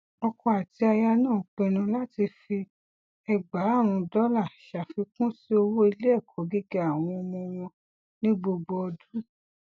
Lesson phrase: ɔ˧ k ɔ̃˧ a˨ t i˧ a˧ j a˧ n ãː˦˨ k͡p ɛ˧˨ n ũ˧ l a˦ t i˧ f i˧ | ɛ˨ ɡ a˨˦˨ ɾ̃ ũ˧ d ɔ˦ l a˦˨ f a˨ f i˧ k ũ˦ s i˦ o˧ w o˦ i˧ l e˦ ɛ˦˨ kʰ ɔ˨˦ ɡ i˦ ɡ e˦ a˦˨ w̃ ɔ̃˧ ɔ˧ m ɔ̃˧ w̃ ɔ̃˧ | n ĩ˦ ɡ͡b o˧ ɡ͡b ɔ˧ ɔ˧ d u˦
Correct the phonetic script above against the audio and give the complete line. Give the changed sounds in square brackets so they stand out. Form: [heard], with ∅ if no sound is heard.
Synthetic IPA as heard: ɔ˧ k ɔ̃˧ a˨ t i˧ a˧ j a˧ n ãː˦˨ k͡p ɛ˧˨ n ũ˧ l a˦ t i˧ f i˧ | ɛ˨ [ɡ͡b] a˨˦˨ ɾ̃ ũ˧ d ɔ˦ l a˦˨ [ʃ] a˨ f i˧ k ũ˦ s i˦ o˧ w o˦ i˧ l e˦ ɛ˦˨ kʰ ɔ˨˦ ɡ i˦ ɡ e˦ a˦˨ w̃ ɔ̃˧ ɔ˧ m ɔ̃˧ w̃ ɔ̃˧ | n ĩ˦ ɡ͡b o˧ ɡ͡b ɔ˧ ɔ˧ d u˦